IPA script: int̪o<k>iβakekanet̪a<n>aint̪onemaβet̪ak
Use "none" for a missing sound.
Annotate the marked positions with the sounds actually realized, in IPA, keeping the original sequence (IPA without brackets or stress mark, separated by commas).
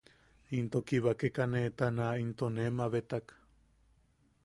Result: k, n